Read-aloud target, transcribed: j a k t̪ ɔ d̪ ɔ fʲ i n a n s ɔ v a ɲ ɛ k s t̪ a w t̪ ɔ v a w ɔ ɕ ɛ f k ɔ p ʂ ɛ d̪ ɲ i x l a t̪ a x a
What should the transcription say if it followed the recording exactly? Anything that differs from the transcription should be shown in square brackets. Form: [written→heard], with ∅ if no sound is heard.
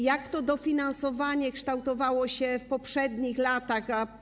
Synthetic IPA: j a k t̪ ɔ d̪ ɔ fʲ i n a n s ɔ v a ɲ ɛ k [s→ʂ] t̪ a w t̪ ɔ v a w ɔ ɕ ɛ f [k→p] ɔ p ʂ ɛ d̪ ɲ i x l a t̪ a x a